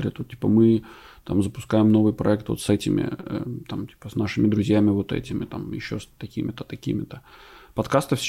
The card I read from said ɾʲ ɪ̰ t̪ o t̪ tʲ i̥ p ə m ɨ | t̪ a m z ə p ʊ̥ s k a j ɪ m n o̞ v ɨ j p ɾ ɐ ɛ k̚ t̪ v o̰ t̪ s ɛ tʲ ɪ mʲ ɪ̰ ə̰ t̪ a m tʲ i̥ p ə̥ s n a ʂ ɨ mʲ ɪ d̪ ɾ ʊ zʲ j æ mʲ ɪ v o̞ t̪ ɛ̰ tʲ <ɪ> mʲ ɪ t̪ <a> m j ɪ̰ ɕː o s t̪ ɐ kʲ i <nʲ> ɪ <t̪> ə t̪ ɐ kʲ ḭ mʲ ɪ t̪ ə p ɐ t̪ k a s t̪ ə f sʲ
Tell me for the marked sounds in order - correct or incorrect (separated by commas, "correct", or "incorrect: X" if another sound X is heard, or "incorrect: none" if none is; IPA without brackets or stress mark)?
correct, correct, incorrect: mʲ, correct